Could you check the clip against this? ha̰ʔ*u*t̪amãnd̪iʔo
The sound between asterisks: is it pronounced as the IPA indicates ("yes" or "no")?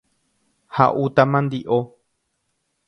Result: yes